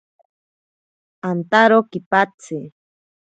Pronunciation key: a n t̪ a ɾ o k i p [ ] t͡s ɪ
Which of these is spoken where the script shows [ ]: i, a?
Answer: a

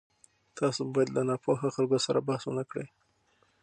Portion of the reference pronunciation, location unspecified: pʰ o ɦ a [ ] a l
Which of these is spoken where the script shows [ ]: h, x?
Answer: x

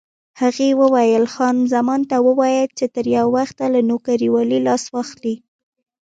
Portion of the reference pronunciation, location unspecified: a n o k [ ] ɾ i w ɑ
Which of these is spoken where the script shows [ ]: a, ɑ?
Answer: a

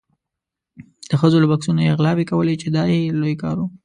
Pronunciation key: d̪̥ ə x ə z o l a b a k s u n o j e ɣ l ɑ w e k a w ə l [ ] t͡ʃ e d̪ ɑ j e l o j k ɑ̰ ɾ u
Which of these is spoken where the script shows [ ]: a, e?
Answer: e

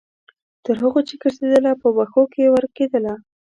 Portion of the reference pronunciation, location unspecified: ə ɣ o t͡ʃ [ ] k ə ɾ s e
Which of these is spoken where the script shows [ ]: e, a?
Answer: e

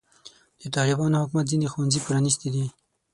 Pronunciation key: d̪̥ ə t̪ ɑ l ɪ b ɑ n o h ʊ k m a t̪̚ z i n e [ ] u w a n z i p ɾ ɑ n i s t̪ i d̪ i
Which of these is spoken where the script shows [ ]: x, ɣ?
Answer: x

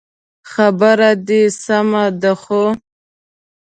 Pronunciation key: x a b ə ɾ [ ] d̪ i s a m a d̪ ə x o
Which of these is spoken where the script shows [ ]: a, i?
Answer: a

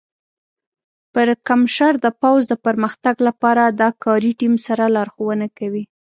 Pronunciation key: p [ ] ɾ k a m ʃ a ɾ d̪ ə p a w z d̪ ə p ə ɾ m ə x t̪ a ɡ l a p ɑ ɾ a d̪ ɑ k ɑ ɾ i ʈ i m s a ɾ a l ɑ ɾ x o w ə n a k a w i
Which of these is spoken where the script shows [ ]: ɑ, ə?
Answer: ə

